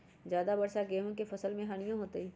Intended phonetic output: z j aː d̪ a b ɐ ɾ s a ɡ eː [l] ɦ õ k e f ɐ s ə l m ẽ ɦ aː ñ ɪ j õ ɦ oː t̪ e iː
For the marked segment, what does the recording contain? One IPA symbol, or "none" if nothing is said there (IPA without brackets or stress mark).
none